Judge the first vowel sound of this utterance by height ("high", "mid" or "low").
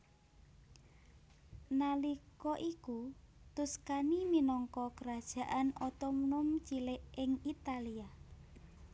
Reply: low